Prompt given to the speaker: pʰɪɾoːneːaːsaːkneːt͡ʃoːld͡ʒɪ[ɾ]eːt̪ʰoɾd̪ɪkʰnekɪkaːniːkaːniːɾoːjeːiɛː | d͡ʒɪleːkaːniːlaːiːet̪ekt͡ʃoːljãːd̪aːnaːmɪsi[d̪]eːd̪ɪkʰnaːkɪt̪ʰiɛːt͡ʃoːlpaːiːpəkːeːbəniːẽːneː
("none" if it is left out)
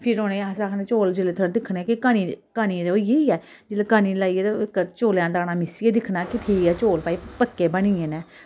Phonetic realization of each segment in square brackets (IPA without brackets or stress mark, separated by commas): l, none